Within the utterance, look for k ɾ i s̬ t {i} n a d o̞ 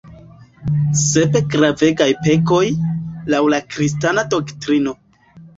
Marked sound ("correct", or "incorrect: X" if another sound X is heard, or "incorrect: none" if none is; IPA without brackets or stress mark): incorrect: a